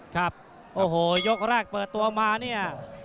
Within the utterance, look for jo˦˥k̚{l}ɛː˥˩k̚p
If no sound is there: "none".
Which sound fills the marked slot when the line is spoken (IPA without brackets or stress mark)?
ɾ